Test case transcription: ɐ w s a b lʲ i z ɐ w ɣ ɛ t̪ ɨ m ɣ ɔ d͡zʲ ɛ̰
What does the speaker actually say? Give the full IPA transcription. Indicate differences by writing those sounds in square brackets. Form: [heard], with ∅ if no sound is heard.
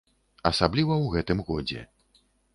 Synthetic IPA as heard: ɐ [∅] s a b lʲ i [v] ɐ w ɣ ɛ t̪ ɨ m ɣ ɔ d͡zʲ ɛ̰